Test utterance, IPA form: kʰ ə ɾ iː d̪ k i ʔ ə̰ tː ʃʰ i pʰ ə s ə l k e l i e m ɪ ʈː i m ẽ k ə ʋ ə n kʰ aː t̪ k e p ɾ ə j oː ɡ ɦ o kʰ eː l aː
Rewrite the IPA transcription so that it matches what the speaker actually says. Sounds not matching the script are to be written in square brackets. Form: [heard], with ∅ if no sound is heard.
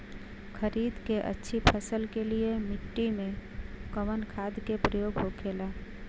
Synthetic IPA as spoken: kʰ ə ɾ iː d̪ k [e] ʔ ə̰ tː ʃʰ i pʰ ə s ə l k e l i e m ɪ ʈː i m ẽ k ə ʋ ə n kʰ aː [d̪] k e p ɾ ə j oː ɡ ɦ o kʰ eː l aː